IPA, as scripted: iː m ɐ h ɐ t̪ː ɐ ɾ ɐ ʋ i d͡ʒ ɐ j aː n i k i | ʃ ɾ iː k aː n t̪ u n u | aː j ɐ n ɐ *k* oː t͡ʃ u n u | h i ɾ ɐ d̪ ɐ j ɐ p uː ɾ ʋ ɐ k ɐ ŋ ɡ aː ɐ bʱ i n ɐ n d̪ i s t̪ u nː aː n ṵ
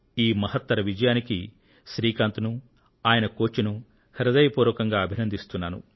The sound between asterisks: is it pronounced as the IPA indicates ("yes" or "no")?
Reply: yes